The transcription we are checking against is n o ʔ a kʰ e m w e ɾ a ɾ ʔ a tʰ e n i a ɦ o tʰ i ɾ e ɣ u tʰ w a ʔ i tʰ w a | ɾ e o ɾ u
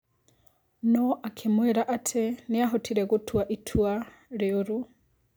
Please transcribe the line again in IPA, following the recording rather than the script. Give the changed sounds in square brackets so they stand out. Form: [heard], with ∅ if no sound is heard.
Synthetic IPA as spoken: n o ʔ a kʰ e m w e ɾ a [∅] ʔ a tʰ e n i a ɦ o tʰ i ɾ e ɣ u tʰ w a ʔ i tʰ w a | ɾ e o ɾ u

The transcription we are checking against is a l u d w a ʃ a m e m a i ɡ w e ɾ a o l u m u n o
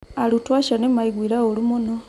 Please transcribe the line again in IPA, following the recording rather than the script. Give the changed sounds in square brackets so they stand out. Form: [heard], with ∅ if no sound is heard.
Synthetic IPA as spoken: a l u [t] w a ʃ a [n] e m a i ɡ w [i] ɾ a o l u m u n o

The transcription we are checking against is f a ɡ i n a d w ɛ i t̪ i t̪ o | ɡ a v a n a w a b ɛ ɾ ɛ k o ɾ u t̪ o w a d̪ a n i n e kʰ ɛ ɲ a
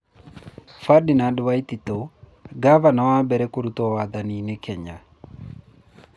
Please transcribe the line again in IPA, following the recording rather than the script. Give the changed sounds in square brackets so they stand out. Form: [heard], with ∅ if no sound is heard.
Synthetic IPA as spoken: f a [d] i n a d w [a] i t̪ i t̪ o | ɡ a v a n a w a b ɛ ɾ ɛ k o ɾ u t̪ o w a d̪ a n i n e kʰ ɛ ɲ a

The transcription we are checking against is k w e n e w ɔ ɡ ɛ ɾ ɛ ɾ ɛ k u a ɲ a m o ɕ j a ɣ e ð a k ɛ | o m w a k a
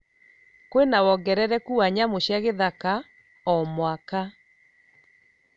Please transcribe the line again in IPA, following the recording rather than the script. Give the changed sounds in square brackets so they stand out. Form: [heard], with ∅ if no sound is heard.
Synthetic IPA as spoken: k w e n [a] w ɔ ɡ ɛ ɾ ɛ ɾ ɛ k u a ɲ a m o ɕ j a ɣ e ð a k [a] | [ɔ] m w a k a

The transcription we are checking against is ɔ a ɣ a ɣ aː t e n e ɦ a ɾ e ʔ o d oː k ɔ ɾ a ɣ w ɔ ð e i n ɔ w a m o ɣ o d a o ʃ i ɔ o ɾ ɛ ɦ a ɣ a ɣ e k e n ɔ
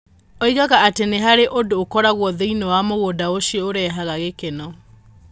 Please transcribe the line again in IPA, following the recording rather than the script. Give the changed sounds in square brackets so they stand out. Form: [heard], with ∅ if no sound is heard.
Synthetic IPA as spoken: ɔ [i] ɣ a ɣ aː t e n e ɦ a ɾ e ʔ o d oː k ɔ ɾ a ɣ w ɔ ð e i n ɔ w a m o ɣ o d a o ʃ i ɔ o ɾ ɛ ɦ a ɣ a ɣ e k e n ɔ

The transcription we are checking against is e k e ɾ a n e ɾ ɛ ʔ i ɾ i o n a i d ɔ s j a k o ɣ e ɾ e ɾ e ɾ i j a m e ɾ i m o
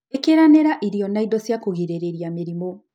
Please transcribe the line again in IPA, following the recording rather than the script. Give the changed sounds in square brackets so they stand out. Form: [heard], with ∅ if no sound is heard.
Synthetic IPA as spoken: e k e ɾ a n e ɾ [a] ʔ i ɾ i [ɔ] n a i d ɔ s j a k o ɣ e ɾ e ɾ e ɾ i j a m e ɾ i m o

